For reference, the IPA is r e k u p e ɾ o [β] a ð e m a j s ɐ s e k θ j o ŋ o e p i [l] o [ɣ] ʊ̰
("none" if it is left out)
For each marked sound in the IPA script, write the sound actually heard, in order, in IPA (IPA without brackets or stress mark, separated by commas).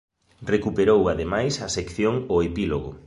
w, l, ɣ